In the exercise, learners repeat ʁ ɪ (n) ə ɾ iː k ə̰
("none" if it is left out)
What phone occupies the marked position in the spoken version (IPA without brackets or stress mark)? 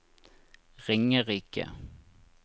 ŋ